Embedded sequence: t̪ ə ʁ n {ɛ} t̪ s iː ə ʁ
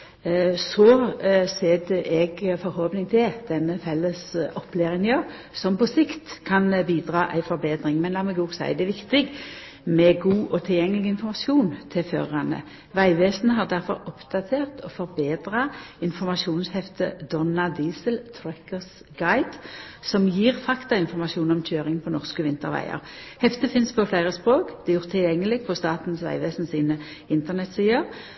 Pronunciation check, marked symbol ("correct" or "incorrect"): correct